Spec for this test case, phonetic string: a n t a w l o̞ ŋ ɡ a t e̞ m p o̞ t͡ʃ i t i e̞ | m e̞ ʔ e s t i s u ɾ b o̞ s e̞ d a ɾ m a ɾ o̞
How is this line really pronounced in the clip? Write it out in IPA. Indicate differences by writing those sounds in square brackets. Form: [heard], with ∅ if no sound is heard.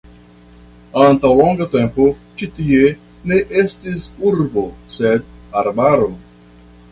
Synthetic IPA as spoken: a n t a w l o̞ ŋ ɡ a t e̞ m p o̞ t͡ʃ i t i e̞ | [n] e̞ ʔ e s t i s u ɾ b o̞ s e̞ d a ɾ [b] a ɾ o̞